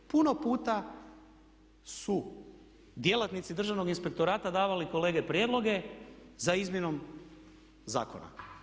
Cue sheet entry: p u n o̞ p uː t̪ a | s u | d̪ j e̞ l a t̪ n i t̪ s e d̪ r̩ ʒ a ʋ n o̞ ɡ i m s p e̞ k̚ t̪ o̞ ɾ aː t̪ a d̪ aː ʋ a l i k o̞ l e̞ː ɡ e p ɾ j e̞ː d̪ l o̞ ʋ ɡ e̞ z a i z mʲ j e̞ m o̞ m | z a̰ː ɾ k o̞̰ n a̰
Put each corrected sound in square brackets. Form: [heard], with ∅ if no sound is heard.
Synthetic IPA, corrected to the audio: p u n o̞ p uː t̪ a | s u | d̪ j e̞ l a t̪ n i t̪ s [i] d̪ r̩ ʒ a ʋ n o̞ ɡ i [n] s p e̞ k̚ t̪ o̞ ɾ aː t̪ a d̪ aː ʋ a l i k o̞ l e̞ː ɡ e p ɾ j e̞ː d̪ l o̞ [∅] ɡ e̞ z a i z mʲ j e̞ [n] o̞ m | z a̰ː [∅] k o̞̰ n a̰